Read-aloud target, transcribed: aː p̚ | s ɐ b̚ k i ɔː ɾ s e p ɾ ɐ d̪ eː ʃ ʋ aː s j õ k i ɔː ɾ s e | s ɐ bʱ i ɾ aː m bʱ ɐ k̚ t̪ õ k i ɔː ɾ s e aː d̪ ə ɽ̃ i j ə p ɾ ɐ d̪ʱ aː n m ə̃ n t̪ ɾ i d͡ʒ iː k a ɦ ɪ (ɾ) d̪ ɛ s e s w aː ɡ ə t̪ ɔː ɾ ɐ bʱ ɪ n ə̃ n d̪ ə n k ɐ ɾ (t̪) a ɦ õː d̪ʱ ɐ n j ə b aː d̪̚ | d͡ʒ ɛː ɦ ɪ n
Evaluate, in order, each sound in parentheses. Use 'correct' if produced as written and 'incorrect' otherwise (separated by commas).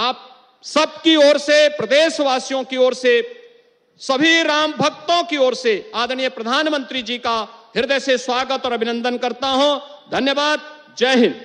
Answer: correct, correct